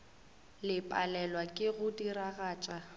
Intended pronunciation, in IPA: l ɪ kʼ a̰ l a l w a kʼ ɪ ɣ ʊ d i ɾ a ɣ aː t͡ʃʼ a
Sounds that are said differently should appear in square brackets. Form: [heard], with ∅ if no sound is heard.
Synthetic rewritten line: l ɪ [pʼ] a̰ l [ɛ] l w a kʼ ɪ ɣ ʊ d i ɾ a ɣ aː t͡ʃʼ a